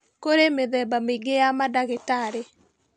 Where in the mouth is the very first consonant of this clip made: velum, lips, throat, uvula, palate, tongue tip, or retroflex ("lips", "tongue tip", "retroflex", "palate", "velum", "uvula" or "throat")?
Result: velum